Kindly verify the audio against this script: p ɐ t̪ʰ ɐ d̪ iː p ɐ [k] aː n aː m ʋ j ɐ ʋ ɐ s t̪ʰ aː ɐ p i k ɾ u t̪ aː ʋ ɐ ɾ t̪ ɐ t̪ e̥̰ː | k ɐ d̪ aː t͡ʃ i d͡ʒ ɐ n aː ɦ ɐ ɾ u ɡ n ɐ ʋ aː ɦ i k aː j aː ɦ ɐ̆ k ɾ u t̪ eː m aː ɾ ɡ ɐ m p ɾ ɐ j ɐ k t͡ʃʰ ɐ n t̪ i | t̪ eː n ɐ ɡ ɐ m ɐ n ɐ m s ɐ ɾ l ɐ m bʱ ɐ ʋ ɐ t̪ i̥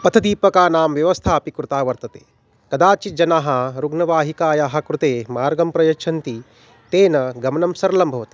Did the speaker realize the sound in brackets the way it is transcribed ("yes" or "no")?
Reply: yes